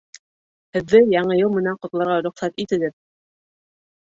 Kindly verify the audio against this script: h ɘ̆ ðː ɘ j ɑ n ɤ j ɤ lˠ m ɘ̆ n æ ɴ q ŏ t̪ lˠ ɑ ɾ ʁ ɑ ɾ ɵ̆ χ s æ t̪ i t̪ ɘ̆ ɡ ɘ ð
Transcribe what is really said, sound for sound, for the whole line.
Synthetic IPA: h ɘ̆ ðː ɘ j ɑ ɴ ɤ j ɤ lˠ m ɘ̆ n æ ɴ q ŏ t̪ lˠ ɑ ɾ ʁ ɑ ɾ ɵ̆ χ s æ t̪ i t̪ ɘ̆ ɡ ɘ ð